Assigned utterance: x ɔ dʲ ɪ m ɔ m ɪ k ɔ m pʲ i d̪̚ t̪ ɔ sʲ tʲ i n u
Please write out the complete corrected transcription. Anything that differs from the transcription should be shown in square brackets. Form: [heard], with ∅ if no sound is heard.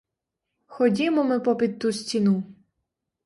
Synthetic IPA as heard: x ɔ dʲ [i] m ɔ m ɪ [p] ɔ [∅] pʲ i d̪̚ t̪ [u] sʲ tʲ i n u